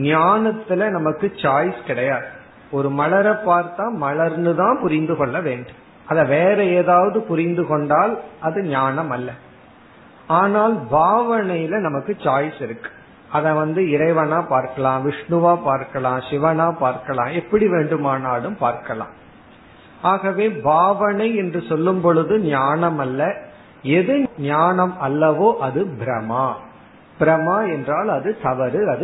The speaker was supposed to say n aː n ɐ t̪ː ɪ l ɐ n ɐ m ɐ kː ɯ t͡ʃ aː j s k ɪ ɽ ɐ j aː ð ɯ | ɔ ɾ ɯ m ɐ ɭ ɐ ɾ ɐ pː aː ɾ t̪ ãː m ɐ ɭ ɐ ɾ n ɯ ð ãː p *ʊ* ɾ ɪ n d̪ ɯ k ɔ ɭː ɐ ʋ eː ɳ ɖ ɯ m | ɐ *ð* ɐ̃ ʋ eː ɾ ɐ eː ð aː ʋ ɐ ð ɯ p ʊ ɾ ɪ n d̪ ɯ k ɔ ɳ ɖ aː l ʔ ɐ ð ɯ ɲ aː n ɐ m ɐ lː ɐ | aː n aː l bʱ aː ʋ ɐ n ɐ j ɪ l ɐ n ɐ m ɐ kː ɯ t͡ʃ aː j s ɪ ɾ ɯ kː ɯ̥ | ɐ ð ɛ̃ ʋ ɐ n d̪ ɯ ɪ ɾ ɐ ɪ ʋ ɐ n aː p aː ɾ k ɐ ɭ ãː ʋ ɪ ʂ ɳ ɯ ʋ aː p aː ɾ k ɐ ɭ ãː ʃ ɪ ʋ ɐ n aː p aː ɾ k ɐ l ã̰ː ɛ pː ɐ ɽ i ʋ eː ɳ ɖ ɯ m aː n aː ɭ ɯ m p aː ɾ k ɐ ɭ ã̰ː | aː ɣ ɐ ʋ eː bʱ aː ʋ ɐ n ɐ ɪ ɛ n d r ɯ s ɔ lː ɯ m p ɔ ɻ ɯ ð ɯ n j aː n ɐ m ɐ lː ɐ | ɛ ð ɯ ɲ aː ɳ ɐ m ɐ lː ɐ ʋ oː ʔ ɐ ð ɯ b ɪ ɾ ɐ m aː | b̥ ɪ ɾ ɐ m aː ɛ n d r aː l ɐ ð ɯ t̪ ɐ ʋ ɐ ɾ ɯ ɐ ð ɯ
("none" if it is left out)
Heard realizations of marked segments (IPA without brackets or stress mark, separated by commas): ʊ, ð